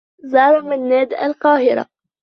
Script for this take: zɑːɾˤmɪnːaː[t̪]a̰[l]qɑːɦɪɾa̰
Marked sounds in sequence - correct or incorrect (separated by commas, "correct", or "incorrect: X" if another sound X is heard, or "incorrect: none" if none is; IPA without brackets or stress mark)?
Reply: incorrect: d̪, correct